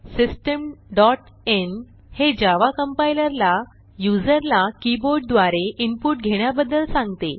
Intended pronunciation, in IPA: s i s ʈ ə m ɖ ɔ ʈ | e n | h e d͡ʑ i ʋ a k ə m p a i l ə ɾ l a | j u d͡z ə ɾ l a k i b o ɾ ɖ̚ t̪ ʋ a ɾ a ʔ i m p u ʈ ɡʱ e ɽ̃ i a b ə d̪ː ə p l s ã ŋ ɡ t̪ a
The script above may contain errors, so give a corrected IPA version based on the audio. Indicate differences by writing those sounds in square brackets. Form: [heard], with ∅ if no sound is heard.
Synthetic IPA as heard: s i s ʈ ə m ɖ ɔ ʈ | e n | h e d͡ʑ [a] ʋ a k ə m p a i l ə ɾ l a | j u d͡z ə ɾ l a k i b o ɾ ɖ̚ [d̪] ʋ a ɾ [e] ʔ i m p u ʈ ɡʱ e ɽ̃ [j] a b ə d̪ː ə [∅] l s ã ŋ ɡ t̪ [e]